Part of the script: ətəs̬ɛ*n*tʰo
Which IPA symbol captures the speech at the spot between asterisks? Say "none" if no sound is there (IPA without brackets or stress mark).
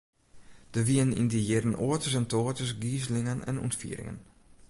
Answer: n